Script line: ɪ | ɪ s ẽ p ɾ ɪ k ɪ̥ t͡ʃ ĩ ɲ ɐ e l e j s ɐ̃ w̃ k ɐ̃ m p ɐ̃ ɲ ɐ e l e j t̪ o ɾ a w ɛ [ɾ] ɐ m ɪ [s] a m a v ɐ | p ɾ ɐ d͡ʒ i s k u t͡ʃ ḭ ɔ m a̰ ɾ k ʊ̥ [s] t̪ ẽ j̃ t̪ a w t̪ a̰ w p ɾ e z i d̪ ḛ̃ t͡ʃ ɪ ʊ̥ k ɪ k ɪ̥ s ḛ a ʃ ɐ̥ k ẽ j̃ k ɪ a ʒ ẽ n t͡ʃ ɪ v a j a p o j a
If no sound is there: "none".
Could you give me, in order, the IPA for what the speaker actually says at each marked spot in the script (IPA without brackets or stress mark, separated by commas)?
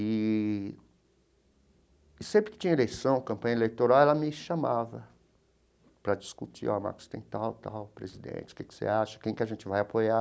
l, ʃ, s